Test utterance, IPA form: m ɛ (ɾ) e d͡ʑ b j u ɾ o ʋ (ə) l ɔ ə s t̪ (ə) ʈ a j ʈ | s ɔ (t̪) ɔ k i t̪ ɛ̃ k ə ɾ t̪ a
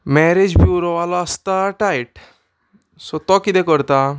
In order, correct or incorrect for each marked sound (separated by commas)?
correct, incorrect, incorrect, correct